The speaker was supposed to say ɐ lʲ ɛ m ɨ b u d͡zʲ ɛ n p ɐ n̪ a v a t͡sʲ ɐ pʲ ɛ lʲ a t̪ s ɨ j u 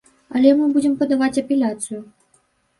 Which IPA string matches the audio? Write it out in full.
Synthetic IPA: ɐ lʲ ɛ m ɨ b u d͡zʲ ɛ m p ɐ d̪ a v a t͡sʲ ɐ pʲ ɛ lʲ a t̪ s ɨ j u